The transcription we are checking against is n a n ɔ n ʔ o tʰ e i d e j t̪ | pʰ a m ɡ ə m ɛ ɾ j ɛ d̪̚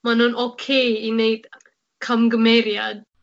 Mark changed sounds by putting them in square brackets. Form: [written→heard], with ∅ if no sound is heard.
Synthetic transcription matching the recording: [n→m] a n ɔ n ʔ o [tʰ→kʰ] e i [d→n] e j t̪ | [pʰ→kʰ] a m ɡ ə m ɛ ɾ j [ɛ→a] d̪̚